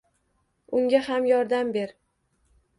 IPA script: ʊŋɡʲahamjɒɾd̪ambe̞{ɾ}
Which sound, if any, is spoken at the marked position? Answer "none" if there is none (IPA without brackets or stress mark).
ɾ